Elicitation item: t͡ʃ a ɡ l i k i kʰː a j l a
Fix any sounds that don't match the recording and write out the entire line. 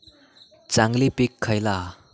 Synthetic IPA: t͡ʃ a ŋ l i p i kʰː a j l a